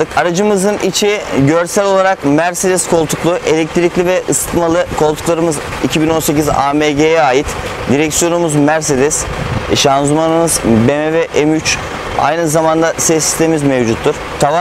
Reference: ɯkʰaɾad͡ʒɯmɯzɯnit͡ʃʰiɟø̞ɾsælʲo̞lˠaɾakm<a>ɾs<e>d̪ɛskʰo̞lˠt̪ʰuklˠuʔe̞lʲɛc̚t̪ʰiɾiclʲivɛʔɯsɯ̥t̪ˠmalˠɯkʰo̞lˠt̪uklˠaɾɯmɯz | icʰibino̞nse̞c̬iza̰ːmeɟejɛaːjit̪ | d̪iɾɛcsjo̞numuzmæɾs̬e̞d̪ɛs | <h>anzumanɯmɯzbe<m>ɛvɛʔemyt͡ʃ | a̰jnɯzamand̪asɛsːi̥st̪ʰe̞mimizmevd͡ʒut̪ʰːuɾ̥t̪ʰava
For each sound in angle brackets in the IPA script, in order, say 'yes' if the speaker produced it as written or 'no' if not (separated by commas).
no, yes, no, yes